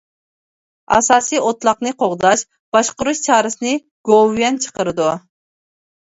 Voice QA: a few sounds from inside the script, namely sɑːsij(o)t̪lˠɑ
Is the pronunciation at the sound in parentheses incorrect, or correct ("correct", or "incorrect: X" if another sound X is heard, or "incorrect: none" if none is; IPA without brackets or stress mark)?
correct